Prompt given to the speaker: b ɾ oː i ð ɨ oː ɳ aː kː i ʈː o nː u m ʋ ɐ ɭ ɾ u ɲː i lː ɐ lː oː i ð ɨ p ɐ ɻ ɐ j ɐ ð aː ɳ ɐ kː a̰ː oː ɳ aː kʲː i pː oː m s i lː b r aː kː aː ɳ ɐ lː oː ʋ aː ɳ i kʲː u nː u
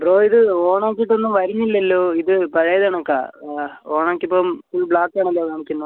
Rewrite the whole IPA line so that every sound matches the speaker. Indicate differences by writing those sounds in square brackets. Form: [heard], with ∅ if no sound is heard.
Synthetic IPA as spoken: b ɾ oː i ð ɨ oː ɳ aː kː i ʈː o nː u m ʋ ɐ [∅] ɾ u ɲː i lː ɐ lː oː i ð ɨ p ɐ ɻ ɐ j ɐ ð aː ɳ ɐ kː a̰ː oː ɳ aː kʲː i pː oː m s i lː b [ɭ] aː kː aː ɳ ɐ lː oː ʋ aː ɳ i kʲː u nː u